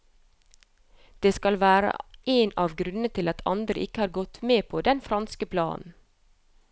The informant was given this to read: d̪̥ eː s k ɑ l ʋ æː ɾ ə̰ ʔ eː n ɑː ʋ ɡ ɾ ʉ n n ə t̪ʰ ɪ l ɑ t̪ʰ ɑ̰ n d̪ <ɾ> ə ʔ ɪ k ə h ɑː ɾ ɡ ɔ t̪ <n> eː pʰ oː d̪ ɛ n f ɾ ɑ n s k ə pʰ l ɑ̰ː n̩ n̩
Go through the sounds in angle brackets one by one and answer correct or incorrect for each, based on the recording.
correct, incorrect: m

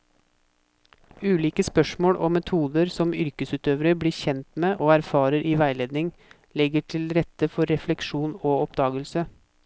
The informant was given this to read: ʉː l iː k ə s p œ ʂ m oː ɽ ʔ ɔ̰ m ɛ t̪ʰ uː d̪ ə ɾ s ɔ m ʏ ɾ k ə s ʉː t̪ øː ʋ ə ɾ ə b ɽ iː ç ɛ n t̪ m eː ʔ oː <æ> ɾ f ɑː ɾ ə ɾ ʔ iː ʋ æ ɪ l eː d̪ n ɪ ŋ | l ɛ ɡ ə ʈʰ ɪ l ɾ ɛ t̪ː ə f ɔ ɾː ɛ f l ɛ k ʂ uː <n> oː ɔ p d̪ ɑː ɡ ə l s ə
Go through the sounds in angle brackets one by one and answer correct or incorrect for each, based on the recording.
correct, correct

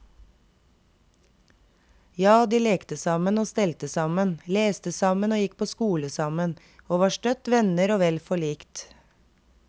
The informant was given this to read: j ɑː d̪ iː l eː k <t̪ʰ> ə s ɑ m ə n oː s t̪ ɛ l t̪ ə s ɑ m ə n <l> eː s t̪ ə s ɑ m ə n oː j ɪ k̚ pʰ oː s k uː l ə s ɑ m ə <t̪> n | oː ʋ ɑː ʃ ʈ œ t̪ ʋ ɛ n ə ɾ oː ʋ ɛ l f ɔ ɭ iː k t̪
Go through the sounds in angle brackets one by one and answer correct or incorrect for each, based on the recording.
incorrect: t̪, correct, incorrect: none

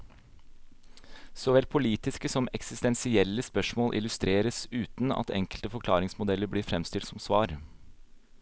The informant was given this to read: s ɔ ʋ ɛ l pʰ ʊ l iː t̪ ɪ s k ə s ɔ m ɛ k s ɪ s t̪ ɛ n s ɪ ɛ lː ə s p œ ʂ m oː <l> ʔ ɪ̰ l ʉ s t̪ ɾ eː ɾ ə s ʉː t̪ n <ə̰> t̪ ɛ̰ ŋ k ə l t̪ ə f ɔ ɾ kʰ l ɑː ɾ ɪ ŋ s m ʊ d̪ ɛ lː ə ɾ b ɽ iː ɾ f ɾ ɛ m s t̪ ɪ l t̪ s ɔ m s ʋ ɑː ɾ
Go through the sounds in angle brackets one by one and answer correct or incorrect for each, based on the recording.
correct, incorrect: ɑ̰

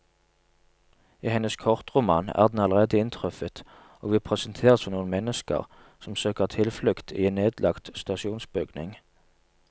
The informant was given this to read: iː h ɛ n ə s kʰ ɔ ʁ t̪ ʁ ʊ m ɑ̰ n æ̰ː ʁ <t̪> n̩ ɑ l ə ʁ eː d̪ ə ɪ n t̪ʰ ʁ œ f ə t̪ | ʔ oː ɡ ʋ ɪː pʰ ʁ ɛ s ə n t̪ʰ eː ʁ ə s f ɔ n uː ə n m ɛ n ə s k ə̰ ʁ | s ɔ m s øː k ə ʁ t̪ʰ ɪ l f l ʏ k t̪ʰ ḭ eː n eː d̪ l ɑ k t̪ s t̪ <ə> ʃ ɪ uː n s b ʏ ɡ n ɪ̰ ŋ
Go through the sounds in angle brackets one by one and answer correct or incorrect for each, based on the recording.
incorrect: d̪, incorrect: ɑ

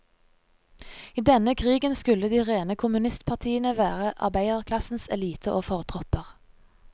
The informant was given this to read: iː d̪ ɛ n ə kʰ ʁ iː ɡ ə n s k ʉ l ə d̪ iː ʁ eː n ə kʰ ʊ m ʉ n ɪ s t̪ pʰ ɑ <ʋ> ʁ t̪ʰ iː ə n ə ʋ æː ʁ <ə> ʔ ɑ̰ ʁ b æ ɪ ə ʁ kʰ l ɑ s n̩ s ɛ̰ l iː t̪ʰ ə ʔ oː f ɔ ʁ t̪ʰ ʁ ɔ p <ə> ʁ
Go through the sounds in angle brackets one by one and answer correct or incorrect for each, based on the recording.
incorrect: none, correct, correct

